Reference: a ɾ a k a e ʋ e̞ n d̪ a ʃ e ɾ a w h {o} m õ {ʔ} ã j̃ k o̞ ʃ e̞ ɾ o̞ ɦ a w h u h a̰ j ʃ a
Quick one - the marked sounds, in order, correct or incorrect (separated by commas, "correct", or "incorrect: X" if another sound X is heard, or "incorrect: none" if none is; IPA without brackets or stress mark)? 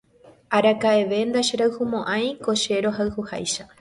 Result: incorrect: u, correct